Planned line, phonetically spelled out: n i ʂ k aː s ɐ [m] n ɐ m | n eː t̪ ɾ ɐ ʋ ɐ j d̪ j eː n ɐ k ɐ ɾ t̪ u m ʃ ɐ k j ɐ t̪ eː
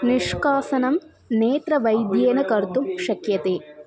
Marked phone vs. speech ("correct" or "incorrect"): incorrect